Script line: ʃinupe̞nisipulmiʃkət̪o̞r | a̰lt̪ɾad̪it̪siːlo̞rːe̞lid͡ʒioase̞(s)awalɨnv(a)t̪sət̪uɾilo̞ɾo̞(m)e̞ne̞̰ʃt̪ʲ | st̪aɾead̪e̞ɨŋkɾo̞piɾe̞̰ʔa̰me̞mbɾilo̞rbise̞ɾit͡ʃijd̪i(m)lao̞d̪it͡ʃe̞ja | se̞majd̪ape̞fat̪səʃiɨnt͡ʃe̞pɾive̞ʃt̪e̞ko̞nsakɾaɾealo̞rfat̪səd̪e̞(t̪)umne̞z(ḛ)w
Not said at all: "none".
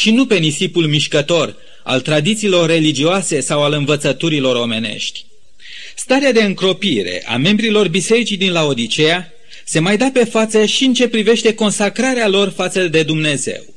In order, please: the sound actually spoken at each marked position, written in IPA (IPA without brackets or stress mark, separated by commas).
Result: s, ə, m, n, d̪, ḛ